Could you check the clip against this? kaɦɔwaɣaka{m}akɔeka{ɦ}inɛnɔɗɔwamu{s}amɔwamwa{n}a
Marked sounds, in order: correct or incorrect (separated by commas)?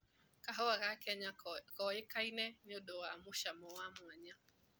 incorrect, incorrect, incorrect, incorrect